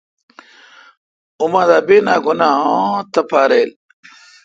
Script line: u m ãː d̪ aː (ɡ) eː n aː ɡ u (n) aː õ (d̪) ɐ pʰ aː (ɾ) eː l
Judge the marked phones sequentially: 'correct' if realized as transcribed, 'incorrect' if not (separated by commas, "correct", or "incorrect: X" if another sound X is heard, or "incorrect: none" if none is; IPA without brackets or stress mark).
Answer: incorrect: b, correct, incorrect: t̪, correct